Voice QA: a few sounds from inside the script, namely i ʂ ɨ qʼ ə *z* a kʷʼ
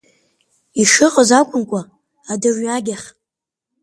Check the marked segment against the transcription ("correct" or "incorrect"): correct